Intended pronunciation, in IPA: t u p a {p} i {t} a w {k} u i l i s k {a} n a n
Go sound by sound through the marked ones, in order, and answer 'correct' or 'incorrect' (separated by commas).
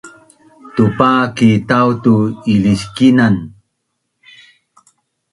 incorrect, correct, incorrect, incorrect